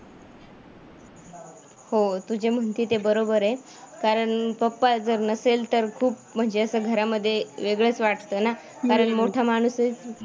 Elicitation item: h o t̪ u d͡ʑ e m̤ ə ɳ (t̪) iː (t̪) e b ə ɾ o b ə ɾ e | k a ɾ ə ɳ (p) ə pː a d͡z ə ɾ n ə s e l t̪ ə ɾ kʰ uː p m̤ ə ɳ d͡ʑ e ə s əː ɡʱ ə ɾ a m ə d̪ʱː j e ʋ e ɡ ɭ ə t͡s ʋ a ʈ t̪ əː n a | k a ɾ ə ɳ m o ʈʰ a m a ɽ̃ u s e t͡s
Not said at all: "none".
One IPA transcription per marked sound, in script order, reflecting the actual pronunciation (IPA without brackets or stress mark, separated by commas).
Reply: t̪, t̪, p